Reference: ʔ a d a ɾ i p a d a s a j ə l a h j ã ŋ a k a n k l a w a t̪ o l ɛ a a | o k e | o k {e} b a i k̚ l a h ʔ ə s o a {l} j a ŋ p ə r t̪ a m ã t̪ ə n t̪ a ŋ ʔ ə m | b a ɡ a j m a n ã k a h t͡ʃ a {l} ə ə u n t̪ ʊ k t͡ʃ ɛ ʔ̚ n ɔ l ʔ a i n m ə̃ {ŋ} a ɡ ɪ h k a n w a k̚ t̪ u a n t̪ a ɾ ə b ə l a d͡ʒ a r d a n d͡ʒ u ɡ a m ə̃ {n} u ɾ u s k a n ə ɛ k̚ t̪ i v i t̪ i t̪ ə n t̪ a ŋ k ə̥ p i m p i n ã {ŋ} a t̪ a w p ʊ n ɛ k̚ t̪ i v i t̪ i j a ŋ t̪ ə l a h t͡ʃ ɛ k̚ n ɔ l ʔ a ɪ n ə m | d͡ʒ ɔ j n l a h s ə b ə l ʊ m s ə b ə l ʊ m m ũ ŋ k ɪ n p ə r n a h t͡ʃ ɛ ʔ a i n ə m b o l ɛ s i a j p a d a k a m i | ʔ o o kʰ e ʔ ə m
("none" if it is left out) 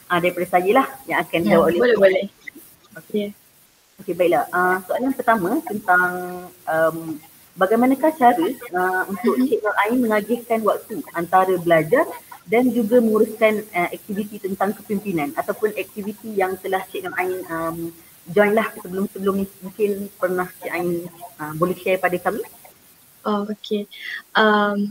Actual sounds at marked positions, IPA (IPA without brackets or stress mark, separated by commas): e, l, ɾ, ŋ, ŋ, n